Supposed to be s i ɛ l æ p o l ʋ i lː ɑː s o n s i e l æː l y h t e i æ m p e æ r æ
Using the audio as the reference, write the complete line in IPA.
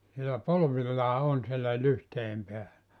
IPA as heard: s i e l æ p o l ʋ i lː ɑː o n s i e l æ l y h t e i e m p e æ l æ

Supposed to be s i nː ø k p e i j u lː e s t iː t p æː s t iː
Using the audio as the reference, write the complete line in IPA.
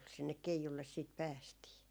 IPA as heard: s i nː e k k e i j u lː e s s iː t p æː s t iː

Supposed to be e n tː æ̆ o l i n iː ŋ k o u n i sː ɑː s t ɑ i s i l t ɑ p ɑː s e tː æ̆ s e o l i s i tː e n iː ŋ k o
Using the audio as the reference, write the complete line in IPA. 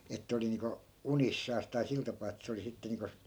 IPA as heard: e tː æ̆ o l i n iː ŋ k o u n i sː ɑː s t ɑ i s i l t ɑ p ɑː e tː æ̆ s e o l i s i tː e n iː ŋ k o

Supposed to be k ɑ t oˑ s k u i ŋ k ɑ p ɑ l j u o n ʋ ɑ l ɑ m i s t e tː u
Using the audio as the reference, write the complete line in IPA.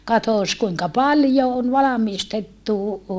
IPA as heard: k ɑ t oˑ s k u i ŋ k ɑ p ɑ l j o o n ʋ ɑ l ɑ m i s t e tː u

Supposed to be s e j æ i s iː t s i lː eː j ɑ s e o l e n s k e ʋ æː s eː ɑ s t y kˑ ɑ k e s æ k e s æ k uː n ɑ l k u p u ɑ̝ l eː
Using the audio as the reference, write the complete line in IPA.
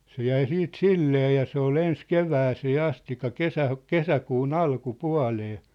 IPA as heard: s e j æ i s iː t s i lː eː j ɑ s e o l e n s k e ʋ æː s eː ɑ s t i kˑ ɑ k e s æ k e s æ k uː n ɑ l k u p u ɑ̝ l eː

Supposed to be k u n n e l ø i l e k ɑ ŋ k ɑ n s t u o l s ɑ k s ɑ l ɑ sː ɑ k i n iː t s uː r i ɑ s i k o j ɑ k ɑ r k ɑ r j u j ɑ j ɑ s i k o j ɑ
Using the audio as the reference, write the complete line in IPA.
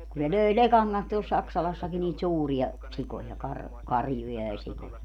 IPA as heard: k u n n e l ø i l e k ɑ ŋ k ɑ n s t u o l s ɑ k s ɑ l ɑ sː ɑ k i n iː t s uː r i ɑ s i k o j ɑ k ɑ r k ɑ r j u j ɑ j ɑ s i k o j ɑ

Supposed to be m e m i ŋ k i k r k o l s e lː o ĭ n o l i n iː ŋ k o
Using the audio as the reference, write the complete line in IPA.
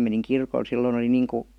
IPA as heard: m e n i ŋ k i r k o l s i lː o ĭ n o l i n iː ŋ k u

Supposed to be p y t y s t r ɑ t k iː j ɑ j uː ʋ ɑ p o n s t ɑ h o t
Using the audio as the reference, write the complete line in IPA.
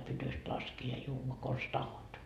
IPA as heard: p y t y s t l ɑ s k iː j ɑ j uː ʋ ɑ k o n s t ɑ h o t

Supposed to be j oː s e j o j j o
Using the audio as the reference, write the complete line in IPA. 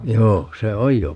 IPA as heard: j oː s e o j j o

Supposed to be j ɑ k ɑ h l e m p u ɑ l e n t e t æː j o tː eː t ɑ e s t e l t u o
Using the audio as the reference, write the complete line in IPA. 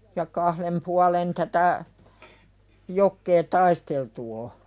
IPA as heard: j ɑ k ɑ h l e m p u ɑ l e n t æ t æ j o kː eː t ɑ i s t e l t u o

